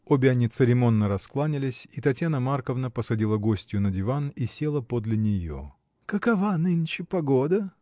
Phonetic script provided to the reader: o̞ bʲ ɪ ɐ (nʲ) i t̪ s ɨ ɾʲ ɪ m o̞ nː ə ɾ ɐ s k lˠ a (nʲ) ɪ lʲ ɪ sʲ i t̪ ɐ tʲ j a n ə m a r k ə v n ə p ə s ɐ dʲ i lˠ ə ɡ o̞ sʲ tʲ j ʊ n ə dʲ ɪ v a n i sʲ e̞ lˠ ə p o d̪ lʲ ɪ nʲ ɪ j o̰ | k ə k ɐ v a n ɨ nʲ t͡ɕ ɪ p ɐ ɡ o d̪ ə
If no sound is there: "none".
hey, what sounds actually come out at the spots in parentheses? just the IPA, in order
nʲ, nʲ

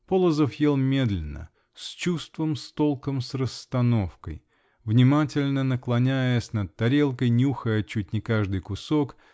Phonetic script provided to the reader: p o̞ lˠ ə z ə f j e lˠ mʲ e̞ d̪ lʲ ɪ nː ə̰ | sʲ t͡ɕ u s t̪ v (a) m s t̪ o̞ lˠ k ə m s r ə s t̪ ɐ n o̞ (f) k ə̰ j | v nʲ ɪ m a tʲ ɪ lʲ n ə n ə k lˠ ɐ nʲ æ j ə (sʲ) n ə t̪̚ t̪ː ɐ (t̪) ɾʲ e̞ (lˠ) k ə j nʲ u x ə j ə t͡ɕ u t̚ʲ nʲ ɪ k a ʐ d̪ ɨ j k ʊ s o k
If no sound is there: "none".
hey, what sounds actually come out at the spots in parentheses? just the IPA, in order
ə, f, sʲ, none, lˠ

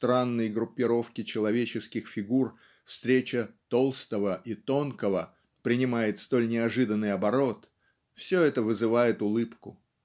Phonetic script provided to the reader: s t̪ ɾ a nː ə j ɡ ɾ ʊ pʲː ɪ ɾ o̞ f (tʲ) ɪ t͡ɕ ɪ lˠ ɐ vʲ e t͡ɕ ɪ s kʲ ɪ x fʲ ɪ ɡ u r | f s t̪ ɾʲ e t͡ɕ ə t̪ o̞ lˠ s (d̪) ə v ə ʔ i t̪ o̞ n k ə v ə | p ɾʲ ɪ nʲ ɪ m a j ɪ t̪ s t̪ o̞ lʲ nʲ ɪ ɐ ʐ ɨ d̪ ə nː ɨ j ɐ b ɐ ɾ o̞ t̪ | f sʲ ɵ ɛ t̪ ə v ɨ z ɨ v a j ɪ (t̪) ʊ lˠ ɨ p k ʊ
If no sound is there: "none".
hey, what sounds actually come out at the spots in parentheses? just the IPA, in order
kʲ, t̪, t̪

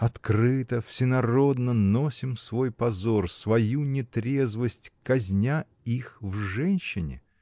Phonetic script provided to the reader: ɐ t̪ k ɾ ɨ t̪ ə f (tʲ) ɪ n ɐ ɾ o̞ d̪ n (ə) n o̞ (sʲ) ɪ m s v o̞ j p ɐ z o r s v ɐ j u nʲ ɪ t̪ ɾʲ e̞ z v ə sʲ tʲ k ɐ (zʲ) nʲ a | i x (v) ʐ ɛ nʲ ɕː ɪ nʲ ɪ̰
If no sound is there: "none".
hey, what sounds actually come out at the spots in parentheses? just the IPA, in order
sʲ, ə, sʲ, zʲ, v

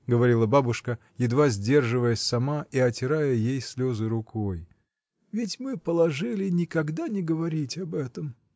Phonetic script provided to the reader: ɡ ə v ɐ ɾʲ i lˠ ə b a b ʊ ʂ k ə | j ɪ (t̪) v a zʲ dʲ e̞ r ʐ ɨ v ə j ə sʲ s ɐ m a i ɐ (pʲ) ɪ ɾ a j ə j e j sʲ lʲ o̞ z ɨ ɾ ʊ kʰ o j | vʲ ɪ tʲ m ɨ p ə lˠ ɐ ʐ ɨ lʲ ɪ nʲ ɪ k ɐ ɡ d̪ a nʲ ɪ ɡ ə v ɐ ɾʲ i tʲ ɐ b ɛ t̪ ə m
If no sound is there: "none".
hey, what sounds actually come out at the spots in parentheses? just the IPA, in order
d̪, tʲ

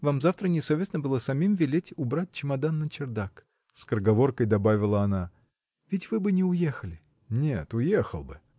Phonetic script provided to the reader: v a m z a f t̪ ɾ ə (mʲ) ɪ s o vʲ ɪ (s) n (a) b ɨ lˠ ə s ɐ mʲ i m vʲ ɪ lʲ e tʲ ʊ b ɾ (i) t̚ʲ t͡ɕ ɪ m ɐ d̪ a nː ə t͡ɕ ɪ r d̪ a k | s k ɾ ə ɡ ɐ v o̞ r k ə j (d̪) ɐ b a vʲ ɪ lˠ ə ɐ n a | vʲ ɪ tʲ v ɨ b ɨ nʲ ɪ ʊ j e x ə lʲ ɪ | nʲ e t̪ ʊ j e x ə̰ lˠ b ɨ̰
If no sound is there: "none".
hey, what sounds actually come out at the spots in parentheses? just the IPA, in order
nʲ, s, ə, a, d̪

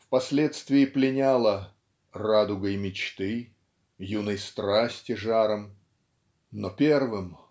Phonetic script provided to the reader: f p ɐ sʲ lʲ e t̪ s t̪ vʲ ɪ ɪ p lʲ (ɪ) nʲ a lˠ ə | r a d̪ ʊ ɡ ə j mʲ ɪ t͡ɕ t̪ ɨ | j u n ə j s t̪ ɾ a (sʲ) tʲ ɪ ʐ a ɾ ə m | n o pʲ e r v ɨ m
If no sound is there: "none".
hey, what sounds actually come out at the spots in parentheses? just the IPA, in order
ɪ, sʲ

